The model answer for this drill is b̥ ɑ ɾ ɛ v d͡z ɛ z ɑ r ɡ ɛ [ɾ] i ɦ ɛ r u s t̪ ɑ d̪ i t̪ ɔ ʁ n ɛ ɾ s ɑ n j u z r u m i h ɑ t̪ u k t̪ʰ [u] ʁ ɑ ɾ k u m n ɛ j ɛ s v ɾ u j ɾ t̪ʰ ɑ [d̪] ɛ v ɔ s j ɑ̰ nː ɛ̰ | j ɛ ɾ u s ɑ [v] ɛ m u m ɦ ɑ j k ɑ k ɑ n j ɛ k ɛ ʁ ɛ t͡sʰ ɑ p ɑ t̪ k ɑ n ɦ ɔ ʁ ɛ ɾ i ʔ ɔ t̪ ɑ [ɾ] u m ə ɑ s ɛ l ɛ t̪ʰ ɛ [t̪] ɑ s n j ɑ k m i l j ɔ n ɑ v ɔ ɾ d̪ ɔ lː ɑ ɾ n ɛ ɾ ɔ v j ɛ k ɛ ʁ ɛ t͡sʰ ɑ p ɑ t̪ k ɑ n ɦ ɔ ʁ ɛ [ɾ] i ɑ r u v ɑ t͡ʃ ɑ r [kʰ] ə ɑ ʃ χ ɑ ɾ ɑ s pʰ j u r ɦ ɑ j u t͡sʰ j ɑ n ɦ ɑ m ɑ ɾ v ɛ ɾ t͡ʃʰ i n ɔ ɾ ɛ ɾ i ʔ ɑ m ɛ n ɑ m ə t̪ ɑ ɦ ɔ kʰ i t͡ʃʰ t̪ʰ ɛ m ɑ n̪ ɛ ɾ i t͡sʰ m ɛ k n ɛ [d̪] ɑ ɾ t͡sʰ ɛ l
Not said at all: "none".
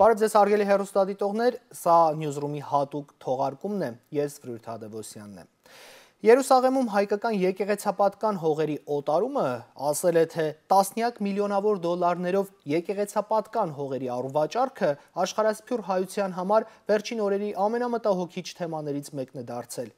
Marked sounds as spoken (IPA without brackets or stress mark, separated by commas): l, ɔ, d̪, ʁ, ɾ, t̪, ɾ, kʰ, d̪